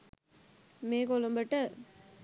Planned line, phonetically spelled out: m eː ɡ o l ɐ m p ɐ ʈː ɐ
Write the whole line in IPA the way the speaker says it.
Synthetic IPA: m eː k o l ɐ m b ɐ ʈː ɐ